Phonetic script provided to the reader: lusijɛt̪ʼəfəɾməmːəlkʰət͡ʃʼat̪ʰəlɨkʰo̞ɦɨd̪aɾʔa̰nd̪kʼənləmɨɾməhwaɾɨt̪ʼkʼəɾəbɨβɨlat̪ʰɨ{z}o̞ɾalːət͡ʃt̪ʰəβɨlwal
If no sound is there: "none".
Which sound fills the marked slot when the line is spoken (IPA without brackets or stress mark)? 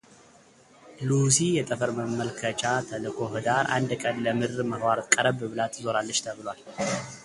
z